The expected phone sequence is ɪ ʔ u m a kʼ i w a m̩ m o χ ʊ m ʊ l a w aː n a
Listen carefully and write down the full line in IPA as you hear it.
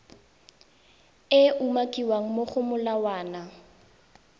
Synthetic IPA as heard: ɪ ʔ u m a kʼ i w a ŋ̩ m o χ ʊ m ʊ l a w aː n a